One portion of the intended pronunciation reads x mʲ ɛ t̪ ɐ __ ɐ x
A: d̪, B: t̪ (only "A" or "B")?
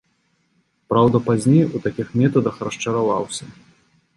A